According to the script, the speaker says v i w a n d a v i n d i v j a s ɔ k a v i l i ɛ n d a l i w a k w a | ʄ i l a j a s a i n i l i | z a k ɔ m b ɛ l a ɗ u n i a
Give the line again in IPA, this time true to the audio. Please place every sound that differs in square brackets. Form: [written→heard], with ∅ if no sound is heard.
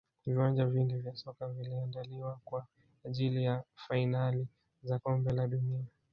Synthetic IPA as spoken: v i w a n [d→d͡ʒ] a v i n d i v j a s ɔ k a v i l i [ɛ→a] n d a l i w a k w a | ʄ i l [a→i] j a [s→f] a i n [i→a] l i | z a k ɔ m b ɛ l a ɗ u n i a